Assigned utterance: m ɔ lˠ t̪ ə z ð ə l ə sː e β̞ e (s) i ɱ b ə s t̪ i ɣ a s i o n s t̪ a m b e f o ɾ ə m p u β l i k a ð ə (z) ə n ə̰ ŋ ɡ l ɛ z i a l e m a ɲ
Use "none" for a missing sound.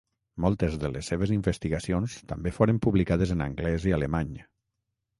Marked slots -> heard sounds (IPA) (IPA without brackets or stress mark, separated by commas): z, z